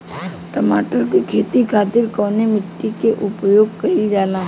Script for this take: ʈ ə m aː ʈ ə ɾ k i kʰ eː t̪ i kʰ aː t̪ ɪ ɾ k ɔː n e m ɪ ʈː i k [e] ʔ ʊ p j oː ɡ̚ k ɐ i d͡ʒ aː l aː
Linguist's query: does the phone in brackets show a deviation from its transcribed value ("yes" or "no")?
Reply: no